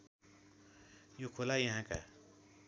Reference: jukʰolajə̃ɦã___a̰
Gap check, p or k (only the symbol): k